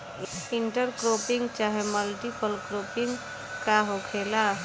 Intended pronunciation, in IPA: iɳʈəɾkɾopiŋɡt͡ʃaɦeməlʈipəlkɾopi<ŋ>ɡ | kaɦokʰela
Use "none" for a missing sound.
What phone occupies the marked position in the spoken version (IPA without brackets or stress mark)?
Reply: ŋ